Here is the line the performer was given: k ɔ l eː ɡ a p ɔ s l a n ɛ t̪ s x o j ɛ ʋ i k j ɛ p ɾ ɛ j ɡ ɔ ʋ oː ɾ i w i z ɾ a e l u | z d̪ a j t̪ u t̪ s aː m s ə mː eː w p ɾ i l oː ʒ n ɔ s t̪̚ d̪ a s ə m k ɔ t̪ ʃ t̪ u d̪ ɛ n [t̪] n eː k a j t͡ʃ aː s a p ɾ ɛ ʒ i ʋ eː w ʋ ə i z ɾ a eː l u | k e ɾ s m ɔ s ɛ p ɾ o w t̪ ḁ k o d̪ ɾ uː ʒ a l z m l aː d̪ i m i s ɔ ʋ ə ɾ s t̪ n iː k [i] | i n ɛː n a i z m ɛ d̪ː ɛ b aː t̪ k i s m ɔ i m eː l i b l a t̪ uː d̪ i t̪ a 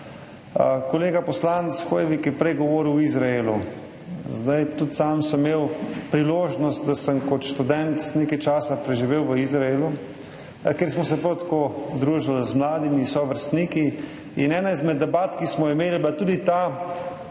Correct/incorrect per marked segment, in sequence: correct, correct

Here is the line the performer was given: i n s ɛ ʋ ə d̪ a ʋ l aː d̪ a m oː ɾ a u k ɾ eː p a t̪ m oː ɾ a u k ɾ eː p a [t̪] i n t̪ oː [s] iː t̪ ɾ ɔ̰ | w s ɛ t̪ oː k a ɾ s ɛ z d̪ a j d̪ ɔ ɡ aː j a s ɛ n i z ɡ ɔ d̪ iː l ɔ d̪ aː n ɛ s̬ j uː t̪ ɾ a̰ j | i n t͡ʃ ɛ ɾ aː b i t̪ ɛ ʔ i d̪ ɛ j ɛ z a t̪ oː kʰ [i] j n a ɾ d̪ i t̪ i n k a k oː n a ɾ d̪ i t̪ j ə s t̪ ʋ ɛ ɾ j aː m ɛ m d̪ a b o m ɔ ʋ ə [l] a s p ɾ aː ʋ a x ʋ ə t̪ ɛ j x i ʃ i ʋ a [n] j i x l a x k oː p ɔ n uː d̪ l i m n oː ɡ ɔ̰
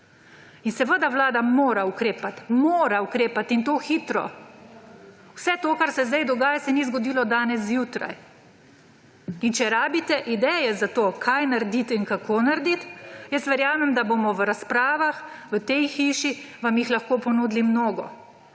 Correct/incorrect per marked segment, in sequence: correct, incorrect: x, incorrect: a, incorrect: ɾ, incorrect: m

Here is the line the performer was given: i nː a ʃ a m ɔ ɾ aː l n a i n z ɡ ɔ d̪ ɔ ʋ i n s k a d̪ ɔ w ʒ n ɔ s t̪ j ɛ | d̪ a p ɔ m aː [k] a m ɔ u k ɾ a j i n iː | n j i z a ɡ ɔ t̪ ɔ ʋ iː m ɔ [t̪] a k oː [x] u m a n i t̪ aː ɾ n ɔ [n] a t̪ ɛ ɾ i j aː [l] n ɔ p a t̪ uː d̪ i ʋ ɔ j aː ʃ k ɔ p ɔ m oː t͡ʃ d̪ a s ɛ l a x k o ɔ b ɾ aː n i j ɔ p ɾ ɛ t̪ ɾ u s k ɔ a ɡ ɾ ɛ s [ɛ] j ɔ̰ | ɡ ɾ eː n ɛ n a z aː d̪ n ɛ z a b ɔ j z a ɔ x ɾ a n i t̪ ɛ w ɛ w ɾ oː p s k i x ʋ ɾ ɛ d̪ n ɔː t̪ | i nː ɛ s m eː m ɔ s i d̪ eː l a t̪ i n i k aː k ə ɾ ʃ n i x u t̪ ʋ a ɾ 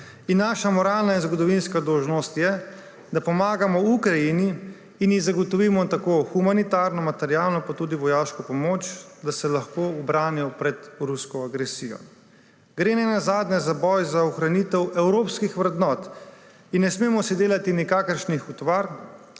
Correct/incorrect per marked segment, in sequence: incorrect: ɡ, correct, correct, incorrect: m, correct, incorrect: i

